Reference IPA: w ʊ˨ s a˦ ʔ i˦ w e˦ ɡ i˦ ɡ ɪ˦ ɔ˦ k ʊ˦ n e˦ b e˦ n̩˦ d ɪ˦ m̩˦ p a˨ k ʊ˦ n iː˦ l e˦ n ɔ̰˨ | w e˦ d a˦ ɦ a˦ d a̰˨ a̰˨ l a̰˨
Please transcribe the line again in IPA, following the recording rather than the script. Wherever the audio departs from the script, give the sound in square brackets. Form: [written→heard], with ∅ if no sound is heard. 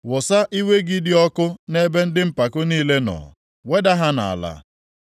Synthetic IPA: w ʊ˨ s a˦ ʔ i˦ w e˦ ɡ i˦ [ɡ→d] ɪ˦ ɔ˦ k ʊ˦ n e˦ b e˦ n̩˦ d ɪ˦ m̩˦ p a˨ k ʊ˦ n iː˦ l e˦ n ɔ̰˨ | w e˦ d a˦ ɦ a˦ [d→n] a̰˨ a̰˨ l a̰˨